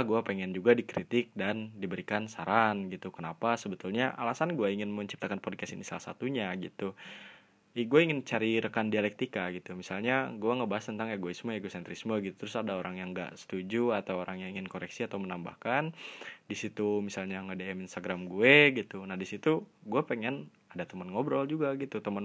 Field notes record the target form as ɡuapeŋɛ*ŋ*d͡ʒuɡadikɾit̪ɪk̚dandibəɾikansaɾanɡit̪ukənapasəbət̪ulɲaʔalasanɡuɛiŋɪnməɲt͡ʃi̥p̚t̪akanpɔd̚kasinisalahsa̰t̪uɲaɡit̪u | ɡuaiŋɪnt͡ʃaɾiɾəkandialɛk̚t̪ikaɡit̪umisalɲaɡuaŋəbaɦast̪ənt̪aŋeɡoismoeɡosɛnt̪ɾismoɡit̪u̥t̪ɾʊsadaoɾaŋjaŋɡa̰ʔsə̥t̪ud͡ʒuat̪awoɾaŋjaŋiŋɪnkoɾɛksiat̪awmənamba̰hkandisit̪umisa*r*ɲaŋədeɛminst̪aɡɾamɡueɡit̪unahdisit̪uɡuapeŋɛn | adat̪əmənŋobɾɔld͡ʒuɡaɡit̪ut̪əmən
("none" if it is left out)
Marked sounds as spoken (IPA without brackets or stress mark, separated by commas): n, l